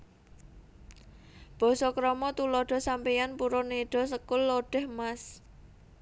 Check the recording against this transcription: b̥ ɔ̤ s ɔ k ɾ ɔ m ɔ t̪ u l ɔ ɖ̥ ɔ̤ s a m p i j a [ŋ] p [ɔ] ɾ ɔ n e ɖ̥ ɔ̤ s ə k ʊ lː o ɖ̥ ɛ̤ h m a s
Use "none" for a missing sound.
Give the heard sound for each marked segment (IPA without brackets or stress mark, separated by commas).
n, u